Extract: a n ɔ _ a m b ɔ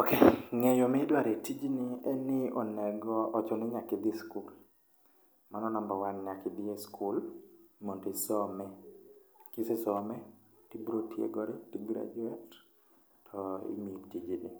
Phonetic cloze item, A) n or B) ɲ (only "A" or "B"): A